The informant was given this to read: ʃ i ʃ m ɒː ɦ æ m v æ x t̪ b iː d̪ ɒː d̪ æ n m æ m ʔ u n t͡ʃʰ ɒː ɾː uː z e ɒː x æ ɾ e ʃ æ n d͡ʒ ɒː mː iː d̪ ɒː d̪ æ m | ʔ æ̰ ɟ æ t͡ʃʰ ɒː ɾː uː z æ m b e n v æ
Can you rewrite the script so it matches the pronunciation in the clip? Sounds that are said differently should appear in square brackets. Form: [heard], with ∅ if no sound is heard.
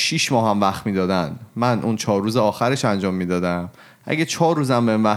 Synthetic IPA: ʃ i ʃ m ɒː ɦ æ m v æ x t̪ [m] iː d̪ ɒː d̪ æ n m æ [n] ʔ u n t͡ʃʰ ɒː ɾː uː z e ɒː x æ ɾ e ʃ æ n d͡ʒ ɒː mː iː d̪ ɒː d̪ æ m | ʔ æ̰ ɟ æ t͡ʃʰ ɒː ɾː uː z æ m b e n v æ